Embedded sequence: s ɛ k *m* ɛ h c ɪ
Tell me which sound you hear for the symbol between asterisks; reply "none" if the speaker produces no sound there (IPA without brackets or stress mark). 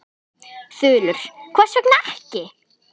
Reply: n